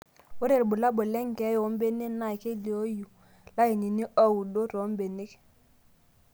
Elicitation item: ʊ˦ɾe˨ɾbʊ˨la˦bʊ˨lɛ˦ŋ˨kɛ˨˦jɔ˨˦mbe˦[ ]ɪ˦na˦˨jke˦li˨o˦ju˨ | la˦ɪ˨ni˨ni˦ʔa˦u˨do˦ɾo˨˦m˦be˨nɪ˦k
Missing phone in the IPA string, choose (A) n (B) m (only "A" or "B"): A